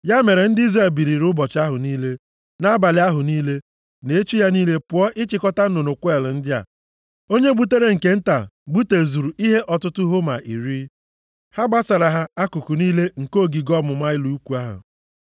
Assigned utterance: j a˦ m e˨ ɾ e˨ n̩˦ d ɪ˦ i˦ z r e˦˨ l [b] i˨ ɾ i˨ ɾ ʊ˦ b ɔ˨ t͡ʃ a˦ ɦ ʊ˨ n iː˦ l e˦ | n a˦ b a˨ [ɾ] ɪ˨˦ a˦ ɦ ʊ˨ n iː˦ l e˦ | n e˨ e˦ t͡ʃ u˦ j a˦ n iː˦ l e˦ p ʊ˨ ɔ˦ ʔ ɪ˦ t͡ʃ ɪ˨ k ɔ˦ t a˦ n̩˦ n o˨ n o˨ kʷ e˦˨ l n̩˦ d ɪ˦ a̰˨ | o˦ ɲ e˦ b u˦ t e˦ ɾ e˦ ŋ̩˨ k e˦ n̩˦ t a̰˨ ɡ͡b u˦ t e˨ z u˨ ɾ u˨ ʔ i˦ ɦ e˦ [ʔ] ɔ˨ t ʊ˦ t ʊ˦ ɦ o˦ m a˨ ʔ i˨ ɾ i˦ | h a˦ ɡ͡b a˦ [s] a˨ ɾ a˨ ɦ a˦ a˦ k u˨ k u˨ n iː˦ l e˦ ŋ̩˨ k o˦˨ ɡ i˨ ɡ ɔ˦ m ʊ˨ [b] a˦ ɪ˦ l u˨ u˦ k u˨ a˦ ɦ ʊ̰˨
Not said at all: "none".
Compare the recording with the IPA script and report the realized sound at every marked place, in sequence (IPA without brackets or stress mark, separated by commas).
b, l, ʔ, s, m